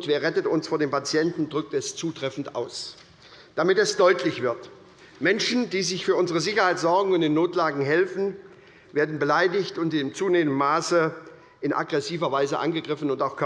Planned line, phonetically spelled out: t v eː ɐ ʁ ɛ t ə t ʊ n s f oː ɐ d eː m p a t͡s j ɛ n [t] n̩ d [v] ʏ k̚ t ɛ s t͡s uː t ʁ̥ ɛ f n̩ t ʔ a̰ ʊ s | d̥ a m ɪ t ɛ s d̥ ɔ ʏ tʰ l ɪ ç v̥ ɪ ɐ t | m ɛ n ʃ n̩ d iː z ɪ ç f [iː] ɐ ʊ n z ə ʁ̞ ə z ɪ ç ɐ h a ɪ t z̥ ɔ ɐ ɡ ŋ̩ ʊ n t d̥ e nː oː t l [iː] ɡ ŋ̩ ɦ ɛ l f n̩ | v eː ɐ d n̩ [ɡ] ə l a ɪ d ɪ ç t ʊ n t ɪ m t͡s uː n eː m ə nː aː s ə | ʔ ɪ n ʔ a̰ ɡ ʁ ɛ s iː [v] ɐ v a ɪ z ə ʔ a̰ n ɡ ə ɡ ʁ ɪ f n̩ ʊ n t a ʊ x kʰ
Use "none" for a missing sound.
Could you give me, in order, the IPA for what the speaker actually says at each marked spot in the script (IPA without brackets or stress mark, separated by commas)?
t, ʁ, yː, aː, b, v